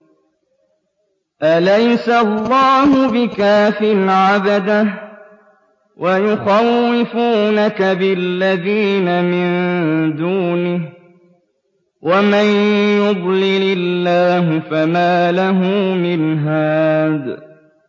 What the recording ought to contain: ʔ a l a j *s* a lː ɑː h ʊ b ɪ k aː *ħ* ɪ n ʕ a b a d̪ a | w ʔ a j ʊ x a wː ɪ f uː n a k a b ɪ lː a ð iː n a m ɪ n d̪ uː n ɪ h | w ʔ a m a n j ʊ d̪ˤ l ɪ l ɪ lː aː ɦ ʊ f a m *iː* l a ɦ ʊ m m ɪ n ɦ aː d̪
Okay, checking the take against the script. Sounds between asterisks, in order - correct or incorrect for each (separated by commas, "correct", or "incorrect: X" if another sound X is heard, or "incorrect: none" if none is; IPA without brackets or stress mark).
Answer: correct, incorrect: f, incorrect: aː